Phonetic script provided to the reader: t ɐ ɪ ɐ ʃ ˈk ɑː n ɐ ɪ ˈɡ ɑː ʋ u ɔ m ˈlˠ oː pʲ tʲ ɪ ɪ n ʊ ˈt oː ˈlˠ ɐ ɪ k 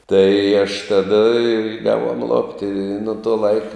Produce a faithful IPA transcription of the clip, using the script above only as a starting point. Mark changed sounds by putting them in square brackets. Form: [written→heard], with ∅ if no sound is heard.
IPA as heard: t ɐ ɪ ɐ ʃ [ˈk→ˈt] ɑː [n→d] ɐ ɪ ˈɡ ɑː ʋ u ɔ m ˈlˠ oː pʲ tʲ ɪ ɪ n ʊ ˈt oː ˈlˠ ɐ ɪ k